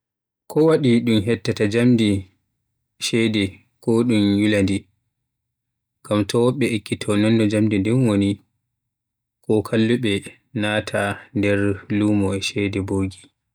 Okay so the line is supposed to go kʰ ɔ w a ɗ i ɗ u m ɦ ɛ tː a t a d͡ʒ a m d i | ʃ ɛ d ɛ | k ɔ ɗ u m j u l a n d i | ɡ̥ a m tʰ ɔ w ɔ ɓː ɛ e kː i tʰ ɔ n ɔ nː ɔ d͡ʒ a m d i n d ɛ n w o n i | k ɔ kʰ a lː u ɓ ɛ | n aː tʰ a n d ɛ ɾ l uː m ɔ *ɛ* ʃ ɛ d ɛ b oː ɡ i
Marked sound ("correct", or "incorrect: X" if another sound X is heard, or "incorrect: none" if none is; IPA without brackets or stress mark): correct